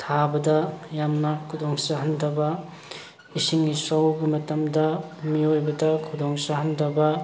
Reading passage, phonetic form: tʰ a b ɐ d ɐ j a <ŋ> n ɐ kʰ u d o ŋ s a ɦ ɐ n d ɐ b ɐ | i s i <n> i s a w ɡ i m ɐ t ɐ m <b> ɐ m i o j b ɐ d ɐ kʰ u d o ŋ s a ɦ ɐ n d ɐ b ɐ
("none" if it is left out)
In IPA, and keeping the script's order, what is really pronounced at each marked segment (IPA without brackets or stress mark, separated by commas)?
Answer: m, ŋ, d